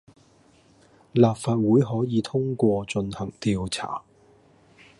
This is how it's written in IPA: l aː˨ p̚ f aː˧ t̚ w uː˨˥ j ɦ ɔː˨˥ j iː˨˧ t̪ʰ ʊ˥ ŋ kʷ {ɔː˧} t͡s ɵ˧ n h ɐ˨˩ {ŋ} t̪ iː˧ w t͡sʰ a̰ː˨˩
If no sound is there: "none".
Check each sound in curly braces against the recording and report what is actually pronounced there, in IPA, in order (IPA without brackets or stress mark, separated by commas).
ɔː˧, ŋ